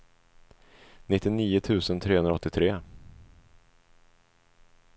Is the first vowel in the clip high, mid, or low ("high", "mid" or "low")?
high